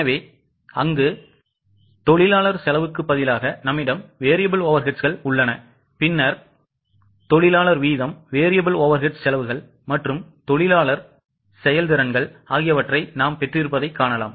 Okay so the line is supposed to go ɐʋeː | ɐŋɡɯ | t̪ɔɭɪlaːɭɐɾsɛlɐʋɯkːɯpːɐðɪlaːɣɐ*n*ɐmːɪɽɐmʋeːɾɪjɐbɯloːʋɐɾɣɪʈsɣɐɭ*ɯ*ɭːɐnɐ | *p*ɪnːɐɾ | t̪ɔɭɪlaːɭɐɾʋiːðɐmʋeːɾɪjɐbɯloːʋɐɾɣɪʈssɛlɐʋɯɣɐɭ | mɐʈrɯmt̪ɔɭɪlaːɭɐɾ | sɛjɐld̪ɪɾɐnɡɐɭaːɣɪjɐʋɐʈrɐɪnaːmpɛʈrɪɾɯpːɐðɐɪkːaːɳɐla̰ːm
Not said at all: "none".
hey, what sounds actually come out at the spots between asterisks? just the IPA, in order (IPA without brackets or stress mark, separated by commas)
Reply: n, ʊ, p